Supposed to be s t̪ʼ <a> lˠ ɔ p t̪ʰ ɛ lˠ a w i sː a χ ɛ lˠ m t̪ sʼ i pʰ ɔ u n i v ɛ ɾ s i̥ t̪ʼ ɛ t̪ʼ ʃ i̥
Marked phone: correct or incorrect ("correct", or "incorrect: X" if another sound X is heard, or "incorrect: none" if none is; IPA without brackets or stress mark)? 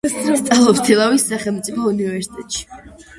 correct